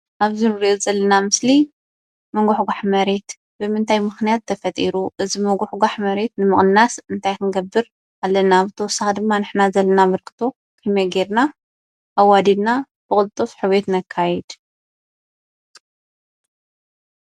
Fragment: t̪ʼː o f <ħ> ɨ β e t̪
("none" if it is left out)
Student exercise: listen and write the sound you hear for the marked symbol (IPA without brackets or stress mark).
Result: ħ